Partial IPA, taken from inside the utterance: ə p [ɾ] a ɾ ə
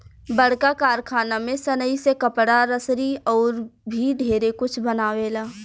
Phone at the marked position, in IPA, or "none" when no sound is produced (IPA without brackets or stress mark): ɽ